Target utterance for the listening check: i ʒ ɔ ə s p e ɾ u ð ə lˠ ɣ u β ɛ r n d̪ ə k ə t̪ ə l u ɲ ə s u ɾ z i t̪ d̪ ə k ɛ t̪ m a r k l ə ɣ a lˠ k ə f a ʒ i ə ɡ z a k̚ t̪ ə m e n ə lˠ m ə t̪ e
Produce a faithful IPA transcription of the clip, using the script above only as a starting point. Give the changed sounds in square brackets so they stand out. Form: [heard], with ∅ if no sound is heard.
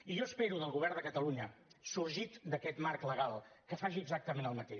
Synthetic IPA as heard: i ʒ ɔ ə s p e ɾ u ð ə lˠ ɣ u β ɛ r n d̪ ə k ə t̪ ə l u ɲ ə s u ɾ [ʒ] i t̪ d̪ ə k ɛ t̪ m a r k l ə ɣ a lˠ k ə f a ʒ i ə ɡ z a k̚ t̪ ə m e n ə lˠ m ə t̪ e